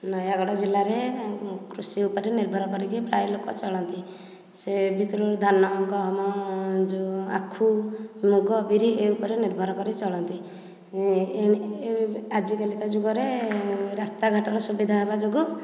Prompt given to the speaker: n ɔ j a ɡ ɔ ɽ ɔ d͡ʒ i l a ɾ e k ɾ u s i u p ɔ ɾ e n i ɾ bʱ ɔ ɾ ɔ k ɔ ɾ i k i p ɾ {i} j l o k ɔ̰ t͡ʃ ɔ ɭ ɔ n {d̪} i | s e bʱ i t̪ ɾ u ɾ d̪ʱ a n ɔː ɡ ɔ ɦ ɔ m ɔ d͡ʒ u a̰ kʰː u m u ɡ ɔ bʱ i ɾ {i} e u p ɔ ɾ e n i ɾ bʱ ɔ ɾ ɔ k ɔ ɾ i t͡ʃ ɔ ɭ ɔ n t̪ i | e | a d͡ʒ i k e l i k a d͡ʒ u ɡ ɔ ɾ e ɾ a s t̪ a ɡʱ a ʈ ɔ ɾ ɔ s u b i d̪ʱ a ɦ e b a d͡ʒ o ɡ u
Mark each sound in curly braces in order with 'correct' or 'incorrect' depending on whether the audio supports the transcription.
incorrect, incorrect, correct

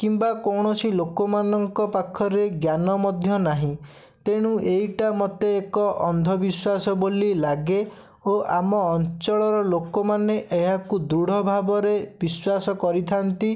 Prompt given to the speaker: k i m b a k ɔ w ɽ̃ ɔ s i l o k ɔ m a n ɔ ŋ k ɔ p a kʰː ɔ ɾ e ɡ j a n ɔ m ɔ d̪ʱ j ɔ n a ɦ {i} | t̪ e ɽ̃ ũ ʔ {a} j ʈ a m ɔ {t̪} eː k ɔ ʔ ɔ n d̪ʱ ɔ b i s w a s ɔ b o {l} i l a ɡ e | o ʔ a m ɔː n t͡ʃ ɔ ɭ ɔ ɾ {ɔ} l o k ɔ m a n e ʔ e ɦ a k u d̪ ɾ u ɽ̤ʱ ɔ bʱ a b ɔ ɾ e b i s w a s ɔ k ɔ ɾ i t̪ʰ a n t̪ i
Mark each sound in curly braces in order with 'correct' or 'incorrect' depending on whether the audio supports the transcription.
incorrect, incorrect, correct, correct, correct

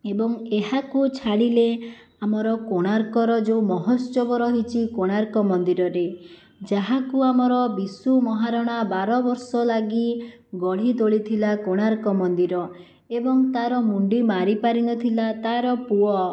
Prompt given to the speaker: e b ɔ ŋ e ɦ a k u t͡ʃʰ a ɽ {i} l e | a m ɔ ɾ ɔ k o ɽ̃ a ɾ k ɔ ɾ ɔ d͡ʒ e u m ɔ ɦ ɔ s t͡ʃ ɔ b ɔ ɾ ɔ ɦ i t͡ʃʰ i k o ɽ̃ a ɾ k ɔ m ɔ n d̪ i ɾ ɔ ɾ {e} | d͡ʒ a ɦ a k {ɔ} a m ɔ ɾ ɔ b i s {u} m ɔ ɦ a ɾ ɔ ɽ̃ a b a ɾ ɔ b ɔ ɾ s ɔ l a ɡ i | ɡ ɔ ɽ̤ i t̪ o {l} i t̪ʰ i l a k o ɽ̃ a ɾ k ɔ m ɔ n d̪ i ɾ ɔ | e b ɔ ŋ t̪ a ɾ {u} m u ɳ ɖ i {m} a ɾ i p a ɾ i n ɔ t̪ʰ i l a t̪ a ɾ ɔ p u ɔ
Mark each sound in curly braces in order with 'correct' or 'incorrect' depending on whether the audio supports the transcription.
correct, correct, incorrect, correct, incorrect, incorrect, correct

